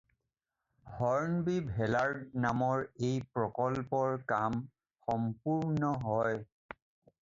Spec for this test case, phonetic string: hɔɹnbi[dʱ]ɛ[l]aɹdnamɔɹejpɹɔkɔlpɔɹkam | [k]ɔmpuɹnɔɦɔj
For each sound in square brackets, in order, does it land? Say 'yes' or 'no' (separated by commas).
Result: no, yes, no